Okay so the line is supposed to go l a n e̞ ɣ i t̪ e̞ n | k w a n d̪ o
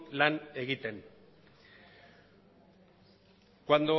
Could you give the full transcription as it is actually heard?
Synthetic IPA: l a n e̞ ɣ i t̪ e̞ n | k w a n d̪ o